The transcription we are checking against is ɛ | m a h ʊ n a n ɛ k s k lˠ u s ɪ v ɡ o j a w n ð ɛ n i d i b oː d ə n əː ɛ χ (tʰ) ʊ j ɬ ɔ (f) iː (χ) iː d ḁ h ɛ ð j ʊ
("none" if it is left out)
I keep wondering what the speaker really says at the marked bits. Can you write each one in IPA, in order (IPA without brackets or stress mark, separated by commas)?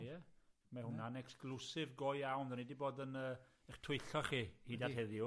tʰ, χ, h